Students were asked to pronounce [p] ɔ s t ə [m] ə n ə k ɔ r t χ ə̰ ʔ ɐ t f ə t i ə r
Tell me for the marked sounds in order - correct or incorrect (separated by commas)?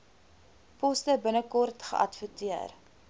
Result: correct, incorrect